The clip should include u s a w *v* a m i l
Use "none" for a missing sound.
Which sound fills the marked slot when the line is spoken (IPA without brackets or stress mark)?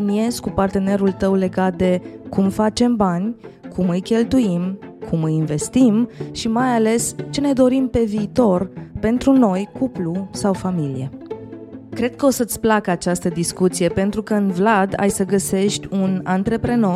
f